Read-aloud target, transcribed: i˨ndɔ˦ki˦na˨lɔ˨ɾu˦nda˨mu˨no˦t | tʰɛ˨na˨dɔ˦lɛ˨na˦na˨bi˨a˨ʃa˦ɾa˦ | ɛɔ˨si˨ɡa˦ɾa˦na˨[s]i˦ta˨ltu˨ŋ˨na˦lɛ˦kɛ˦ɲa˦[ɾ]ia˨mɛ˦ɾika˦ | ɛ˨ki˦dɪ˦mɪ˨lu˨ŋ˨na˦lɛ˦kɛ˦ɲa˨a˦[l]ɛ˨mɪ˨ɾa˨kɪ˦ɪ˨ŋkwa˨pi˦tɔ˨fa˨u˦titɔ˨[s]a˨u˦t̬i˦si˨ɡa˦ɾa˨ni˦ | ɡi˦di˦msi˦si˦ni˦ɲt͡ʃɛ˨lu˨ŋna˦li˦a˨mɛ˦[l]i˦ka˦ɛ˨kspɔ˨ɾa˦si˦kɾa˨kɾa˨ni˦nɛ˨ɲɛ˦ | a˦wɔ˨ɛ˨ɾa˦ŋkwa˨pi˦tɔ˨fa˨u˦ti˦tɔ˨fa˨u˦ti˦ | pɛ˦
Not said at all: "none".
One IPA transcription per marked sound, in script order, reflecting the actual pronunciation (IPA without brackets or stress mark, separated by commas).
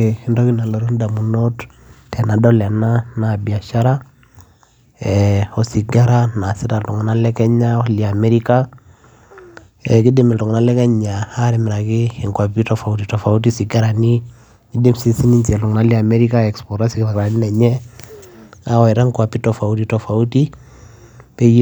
s, l, ɾ, f, ɾ